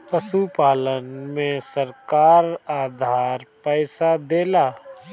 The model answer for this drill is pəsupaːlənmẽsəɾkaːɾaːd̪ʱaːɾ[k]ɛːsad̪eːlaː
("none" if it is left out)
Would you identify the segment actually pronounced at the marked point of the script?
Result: p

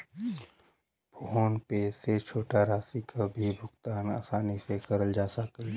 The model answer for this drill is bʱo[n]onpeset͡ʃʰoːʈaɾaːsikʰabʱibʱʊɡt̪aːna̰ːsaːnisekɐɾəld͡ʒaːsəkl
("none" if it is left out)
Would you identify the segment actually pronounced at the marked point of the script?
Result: none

